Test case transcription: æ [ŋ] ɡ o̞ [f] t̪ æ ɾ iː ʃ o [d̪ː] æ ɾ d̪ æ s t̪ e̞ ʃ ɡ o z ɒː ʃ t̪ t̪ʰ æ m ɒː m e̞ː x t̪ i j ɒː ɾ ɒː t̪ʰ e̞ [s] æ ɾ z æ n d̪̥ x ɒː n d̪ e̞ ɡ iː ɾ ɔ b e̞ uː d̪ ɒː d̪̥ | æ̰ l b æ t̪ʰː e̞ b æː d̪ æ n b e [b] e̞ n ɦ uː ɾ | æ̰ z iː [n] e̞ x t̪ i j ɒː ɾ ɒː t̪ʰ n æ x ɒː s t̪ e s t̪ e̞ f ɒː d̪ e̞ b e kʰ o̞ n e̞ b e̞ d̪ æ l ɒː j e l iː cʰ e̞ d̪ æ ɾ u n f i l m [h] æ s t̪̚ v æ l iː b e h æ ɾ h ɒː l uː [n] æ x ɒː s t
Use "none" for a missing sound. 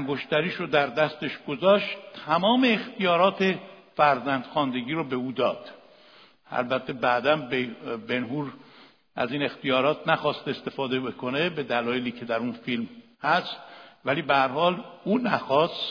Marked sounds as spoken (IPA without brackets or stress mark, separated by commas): ŋ, ʃ, d̪, f, b, n, h, n